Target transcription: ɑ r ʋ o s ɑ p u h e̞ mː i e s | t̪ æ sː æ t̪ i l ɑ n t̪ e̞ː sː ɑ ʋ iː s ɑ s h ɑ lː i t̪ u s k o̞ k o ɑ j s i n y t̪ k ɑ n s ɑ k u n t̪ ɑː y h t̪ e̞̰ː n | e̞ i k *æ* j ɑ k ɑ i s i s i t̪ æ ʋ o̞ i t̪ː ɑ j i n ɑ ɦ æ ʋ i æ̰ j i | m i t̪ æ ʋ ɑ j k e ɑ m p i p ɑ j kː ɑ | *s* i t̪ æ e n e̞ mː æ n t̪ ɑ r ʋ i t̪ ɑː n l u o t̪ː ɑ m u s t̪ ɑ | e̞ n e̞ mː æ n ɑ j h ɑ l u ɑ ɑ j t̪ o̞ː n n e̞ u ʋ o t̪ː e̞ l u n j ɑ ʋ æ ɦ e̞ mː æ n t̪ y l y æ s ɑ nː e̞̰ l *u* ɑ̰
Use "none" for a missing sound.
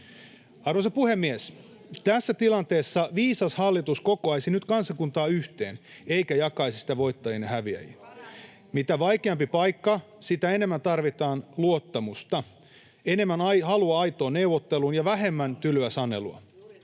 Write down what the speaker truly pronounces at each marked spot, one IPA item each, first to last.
æ, s, u

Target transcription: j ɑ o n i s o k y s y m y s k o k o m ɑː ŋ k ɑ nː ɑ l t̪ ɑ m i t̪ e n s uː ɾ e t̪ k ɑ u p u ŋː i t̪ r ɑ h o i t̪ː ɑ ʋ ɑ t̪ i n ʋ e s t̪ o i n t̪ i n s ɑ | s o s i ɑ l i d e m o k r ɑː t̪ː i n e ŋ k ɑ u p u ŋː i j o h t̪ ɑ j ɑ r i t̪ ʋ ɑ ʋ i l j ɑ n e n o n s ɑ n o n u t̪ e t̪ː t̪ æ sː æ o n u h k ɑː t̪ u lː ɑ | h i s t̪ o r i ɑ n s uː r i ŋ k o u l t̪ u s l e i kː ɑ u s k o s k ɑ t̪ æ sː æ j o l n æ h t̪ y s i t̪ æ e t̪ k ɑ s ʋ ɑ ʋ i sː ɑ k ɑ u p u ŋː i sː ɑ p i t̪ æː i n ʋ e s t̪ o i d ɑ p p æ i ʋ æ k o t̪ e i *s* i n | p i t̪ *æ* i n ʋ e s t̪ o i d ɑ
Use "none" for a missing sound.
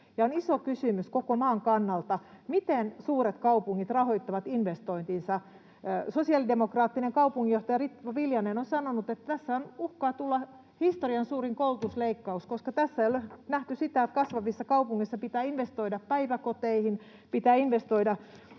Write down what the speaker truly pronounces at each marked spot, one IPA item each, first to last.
h, æː

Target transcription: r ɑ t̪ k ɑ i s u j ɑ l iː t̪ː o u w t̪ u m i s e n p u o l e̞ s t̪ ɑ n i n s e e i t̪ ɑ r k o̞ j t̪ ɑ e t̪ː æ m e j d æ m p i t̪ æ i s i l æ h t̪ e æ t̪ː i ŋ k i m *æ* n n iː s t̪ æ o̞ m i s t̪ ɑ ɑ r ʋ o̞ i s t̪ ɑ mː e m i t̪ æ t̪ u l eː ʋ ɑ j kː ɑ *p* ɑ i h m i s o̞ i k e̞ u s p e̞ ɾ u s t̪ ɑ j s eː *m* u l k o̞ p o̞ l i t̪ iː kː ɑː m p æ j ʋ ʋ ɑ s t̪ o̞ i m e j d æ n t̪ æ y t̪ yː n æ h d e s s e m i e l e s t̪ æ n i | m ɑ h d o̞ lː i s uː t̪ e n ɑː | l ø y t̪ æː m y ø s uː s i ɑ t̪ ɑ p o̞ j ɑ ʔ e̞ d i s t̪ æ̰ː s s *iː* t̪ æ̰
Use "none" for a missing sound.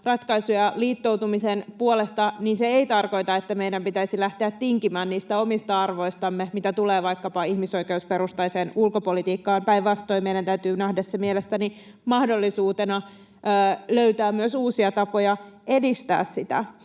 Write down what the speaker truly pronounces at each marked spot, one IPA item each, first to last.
æː, p, n, i

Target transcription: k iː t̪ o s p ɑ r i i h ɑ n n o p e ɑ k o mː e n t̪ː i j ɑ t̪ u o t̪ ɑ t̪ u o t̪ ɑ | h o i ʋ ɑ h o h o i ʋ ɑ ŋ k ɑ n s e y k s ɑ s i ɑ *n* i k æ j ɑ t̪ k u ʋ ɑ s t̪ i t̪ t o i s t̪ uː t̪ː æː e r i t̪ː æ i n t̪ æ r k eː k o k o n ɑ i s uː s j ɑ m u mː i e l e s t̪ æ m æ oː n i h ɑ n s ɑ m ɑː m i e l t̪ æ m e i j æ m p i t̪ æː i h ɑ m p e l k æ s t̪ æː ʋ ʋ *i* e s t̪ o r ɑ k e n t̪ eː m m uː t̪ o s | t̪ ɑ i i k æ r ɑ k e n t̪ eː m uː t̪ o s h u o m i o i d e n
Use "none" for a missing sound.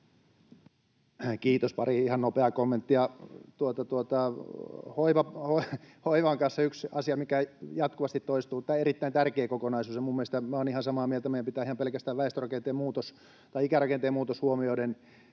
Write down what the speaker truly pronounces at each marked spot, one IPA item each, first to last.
m, æ

